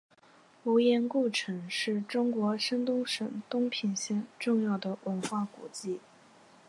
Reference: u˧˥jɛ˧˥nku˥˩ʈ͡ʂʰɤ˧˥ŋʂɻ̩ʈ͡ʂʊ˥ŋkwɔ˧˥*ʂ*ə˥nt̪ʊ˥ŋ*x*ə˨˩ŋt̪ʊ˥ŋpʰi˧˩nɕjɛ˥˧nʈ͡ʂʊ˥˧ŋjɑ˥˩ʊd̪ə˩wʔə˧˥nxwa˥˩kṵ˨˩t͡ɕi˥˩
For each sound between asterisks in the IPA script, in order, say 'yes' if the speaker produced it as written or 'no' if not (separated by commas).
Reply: yes, no